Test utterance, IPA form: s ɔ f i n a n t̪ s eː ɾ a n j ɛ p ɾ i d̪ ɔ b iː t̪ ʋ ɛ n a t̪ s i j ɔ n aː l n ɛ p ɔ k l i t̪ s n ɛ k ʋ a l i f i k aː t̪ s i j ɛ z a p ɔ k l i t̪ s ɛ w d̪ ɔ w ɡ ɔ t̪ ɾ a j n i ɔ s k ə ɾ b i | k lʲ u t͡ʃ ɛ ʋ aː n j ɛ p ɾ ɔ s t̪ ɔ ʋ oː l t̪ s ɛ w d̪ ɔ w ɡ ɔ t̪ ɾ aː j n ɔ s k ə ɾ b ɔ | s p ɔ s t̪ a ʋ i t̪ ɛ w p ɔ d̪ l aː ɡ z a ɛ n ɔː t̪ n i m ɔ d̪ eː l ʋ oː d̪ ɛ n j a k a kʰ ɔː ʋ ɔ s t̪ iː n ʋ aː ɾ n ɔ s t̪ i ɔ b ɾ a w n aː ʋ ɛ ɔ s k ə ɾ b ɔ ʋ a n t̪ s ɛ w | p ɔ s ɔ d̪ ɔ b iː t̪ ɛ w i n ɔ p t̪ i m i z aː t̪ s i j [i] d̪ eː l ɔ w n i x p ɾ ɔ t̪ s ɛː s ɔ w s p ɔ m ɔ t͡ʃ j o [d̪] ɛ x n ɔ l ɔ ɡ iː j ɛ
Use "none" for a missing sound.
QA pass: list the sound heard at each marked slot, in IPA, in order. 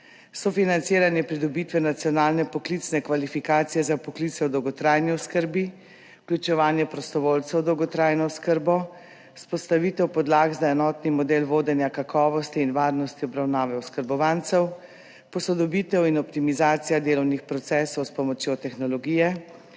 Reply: a, t̪

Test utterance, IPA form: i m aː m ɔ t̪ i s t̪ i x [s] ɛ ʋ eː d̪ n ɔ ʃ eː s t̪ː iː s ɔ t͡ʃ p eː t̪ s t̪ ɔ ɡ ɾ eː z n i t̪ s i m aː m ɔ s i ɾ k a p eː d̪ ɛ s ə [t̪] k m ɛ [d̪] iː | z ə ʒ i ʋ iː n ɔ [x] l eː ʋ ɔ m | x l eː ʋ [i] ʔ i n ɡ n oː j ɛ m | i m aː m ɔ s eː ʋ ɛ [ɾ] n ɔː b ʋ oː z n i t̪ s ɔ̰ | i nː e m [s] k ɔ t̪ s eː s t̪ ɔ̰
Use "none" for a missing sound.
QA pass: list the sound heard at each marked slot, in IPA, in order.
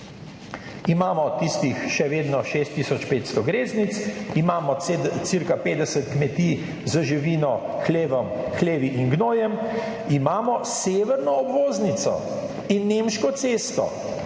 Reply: ʃ, t̪, t̪, x, i, ɾ, ʃ

